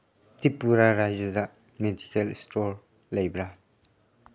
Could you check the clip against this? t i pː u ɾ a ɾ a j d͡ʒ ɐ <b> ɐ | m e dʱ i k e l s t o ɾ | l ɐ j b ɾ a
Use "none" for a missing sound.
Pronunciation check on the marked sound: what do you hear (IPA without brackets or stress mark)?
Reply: d